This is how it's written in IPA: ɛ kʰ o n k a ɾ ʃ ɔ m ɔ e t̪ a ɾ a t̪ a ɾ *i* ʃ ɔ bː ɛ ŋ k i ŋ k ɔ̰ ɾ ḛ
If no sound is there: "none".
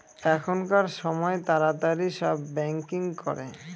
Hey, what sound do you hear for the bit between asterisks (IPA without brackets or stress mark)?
i